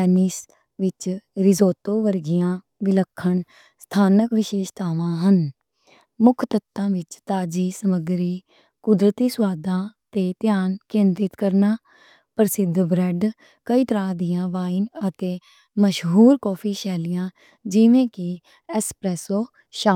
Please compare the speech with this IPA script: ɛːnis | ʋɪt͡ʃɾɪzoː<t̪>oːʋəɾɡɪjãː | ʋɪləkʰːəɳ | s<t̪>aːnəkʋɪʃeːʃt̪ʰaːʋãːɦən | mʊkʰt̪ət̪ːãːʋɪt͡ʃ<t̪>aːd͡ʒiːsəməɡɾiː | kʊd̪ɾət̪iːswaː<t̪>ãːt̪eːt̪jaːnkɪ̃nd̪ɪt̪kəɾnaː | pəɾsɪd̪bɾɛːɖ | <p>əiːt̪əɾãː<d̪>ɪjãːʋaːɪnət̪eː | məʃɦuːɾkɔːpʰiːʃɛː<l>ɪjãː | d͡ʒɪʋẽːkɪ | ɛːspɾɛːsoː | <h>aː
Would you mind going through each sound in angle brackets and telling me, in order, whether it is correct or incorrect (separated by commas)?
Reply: correct, incorrect, correct, incorrect, incorrect, correct, correct, incorrect